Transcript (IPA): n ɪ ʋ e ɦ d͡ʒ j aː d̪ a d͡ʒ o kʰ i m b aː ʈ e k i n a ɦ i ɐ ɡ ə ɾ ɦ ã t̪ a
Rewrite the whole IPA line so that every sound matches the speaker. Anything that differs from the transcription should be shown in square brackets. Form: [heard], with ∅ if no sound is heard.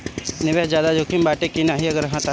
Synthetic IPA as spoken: n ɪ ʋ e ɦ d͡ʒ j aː d̪ a d͡ʒ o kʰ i m b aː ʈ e k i n a ɦ i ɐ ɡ ə ɾ ɦ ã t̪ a